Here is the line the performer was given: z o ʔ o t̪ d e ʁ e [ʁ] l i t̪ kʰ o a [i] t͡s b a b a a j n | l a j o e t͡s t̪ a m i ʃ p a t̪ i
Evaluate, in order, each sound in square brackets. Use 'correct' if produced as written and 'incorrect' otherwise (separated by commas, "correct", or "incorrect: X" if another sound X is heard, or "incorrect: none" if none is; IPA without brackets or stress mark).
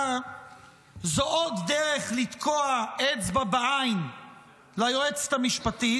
incorrect: χ, incorrect: e